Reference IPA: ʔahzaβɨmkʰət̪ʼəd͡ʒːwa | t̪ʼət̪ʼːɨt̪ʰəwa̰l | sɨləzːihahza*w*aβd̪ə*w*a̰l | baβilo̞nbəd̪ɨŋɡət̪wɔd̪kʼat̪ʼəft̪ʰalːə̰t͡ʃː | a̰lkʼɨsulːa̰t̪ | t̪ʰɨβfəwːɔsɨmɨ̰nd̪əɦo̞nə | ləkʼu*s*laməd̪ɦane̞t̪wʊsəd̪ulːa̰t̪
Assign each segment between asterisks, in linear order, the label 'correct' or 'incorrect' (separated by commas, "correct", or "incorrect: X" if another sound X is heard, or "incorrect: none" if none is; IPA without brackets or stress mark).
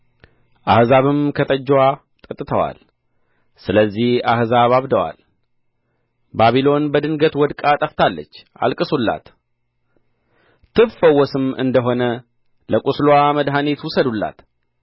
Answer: incorrect: β, correct, correct